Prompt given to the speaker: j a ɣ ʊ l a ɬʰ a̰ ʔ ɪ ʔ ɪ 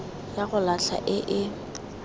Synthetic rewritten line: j a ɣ ʊ l a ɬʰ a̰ ʔ ɪ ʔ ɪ